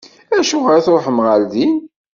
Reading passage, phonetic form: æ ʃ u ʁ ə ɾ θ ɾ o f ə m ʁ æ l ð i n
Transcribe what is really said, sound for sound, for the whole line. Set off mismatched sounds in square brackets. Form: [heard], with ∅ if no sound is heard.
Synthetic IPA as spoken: æ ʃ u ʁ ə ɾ θ ɾ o [ħ] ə m ʁ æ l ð i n